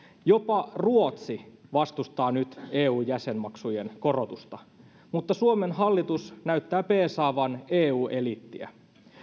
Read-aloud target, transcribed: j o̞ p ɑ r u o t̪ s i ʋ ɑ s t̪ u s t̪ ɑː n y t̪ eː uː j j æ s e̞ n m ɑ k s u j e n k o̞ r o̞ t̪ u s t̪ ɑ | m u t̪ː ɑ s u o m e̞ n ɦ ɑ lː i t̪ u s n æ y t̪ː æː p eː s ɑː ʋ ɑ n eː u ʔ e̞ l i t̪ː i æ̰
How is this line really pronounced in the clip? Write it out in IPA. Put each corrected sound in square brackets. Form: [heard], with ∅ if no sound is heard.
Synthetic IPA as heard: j o̞ p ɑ r u o t̪ s i ʋ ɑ s t̪ u s t̪ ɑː n y t̪ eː uː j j æ s e̞ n m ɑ k s u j e n k o̞ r o̞ t̪ u s t̪ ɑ | m u t̪ː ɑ s u o m e̞ n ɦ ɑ lː i t̪ u s n æ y t̪ː æː p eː s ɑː ʋ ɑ n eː [uː] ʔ e̞ l i t̪ː i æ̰